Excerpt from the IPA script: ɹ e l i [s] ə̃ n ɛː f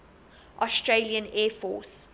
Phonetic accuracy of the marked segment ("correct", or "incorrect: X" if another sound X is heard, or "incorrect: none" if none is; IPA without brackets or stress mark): incorrect: none